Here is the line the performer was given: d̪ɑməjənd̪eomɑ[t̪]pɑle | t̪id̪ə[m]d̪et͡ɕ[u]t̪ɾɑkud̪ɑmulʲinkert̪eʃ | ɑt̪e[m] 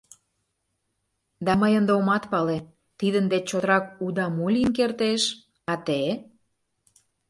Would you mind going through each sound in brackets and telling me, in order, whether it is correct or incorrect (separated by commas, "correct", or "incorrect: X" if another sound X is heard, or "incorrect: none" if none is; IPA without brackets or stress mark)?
correct, incorrect: n, incorrect: o, incorrect: none